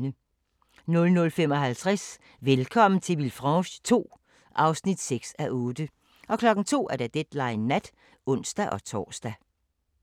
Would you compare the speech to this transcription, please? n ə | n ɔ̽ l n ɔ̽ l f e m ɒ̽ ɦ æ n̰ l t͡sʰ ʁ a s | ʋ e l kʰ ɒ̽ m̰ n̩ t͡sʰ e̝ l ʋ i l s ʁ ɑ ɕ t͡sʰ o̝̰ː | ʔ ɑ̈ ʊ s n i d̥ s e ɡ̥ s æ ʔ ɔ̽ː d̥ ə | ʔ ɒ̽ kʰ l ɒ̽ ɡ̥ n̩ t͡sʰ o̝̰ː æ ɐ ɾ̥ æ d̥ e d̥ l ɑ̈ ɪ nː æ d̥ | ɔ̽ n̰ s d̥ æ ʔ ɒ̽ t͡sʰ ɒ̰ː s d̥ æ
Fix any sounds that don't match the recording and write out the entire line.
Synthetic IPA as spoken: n ə | n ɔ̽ l n ɔ̽ l f e m ɒ̽ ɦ æ l t͡sʰ ʁ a s | ʋ e l kʰ ɒ̽ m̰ n̩ t͡sʰ e̝ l ʋ i l f ʁ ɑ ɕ t͡sʰ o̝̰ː | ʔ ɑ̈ ʊ s n i d̥ s e ɡ̥ s æ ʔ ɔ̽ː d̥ ə | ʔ ɒ̽ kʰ l ɒ̽ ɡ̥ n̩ t͡sʰ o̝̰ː æ ɐ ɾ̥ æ d̥ e d̥ l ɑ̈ ɪ nː æ d̥ | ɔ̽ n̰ s d̥ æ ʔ ɒ̽ t͡sʰ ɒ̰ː s d̥ æ

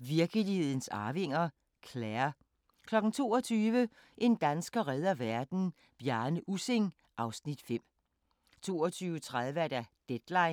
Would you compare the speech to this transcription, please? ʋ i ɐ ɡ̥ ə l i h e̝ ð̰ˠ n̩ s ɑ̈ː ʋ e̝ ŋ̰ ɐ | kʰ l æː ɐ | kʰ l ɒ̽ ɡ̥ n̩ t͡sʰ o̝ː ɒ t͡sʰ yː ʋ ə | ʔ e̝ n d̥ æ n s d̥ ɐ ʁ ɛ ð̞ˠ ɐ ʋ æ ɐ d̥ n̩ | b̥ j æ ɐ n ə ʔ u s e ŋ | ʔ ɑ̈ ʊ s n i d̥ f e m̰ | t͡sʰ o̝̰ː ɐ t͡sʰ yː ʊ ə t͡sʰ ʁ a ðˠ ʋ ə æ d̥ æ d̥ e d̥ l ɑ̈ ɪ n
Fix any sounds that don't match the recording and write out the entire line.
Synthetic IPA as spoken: ʋ i ɐ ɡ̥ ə l i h e̝ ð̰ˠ n̩ s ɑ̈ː ʋ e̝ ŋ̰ ɐ | kʰ l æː ɐ | kʰ l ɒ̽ ɡ̥ n̩ t͡sʰ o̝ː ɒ t͡sʰ yː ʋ ə | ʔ e̝ n d̥ æ n s ɡ̥ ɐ ʁ ɛ ð̞ˠ ɐ ʋ æ ɐ d̥ n̩ | b̥ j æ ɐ n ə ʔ u s e ŋ | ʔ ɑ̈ ʊ s n i d̥ f e m̰ | t͡sʰ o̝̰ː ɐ t͡sʰ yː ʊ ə t͡sʰ ʁ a ðˠ ʋ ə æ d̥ æ d̥ e d̥ l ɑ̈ ɪ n

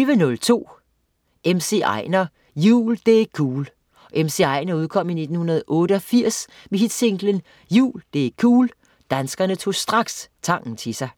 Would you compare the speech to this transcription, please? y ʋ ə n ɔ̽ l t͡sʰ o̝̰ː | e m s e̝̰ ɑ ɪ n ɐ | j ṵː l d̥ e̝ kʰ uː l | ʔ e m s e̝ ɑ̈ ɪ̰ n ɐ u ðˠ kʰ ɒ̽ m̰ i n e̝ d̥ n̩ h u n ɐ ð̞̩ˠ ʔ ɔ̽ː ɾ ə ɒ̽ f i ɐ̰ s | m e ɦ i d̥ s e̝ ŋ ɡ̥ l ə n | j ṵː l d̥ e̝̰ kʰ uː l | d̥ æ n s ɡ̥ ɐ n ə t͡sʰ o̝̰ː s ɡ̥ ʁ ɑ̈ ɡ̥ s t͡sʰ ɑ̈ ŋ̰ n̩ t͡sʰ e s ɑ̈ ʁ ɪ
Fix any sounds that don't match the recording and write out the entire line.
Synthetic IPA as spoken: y ʋ ə n ɔ̽ l t͡sʰ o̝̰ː | e m s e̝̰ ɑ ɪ n ɐ | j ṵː l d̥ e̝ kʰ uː l | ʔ e m s e̝ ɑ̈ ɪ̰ n ɐ u ðˠ kʰ ɒ̽ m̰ i n e̝ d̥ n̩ h u n ɐ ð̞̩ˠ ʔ ɔ̽ː ɾ ə ɒ̽ f i ɐ̰ s | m e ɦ i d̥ s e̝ ŋ ɡ̥ l ə n | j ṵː l d̥ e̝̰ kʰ uː l | d̥ æ n s ɡ̥ ɐ n ə t͡sʰ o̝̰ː s d̥ ʁ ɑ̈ ɡ̥ s t͡sʰ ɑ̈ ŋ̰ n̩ t͡sʰ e s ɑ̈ ɪ

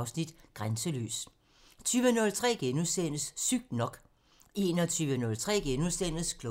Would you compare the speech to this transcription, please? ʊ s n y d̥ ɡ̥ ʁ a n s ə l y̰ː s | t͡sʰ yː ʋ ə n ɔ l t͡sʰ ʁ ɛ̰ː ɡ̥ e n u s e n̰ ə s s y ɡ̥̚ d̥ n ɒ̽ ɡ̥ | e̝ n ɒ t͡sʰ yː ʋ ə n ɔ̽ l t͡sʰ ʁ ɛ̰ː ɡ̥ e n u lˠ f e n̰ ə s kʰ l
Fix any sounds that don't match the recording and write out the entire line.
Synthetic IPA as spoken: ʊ s n i d̥ ɡ̥ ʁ a n s ə l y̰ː s | t͡sʰ yː ʋ ə n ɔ l t͡sʰ ʁ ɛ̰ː ɡ̥ e n u s e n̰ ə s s y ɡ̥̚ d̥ n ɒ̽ ɡ̥ | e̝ n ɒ t͡sʰ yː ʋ ə n ɔ̽ l t͡sʰ ʁ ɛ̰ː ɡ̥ e n u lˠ s e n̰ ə s kʰ l

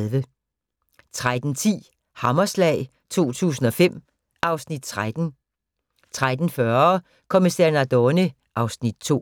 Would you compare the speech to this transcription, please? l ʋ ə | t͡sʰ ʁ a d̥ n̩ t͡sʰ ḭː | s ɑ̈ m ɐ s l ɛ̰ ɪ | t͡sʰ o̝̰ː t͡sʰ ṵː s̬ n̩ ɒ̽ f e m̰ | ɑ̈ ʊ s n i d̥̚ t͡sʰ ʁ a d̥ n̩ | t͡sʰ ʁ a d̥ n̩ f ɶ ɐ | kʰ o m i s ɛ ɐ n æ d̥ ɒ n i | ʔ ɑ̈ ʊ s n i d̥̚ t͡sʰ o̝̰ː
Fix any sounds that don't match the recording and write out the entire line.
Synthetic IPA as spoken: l ʋ ə | t͡sʰ ʁ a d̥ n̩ t͡sʰ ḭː | h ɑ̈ m ɐ s l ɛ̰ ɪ | t͡sʰ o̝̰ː t͡sʰ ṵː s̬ n̩ ɒ̽ f e m̰ | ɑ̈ ʊ s n i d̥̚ t͡sʰ ʁ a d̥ n̩ | t͡sʰ ʁ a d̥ n̩ f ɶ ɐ | kʰ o m i s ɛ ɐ n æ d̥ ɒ n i | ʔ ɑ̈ ʊ s n i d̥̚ t͡sʰ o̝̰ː

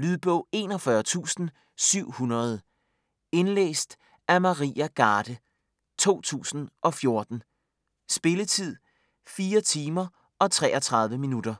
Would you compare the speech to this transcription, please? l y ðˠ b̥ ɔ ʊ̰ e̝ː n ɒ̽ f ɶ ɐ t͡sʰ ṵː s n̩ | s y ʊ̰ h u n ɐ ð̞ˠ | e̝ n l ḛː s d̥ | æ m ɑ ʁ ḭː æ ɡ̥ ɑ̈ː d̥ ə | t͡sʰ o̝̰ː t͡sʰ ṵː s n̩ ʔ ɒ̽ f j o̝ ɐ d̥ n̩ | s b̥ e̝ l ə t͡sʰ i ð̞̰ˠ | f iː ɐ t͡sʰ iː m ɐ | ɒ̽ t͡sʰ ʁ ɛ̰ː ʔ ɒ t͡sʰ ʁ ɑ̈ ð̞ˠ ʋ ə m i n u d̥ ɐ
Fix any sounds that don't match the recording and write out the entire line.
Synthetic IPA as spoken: l y ðˠ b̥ ɔ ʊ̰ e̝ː n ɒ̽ f ɶ ɐ t͡sʰ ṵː s n̩ | s y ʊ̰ h u n ɐ ð̞ˠ | e̝ n l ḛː s d̥ | æ m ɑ ʁ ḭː æ ɡ̥ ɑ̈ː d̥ ə | t͡sʰ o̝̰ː t͡sʰ ṵː s n̩ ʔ ɒ̽ f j o̝ ɐ d̥ n̩ | s b̥ e̝ l ə t͡sʰ i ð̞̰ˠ | f iː ɐ t͡sʰ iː m ɐ | ɒ̽ t͡sʰ ʁ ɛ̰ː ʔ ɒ t͡sʰ ʁ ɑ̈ ð̞ˠ ʋ ə m i n u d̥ ɐ

